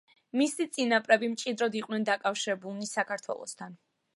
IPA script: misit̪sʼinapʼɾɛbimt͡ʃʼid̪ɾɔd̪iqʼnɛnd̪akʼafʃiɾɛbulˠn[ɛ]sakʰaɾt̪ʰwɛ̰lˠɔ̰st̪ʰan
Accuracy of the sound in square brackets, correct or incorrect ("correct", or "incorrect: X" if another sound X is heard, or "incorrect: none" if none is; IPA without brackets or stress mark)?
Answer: incorrect: i